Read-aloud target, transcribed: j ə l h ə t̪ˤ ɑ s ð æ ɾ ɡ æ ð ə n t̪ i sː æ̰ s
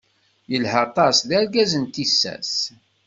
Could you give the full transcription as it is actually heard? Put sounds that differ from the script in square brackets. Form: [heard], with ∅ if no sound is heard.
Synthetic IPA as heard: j ə l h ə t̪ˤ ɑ s ð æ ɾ ɡ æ [z] ə n t̪ i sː æ̰ s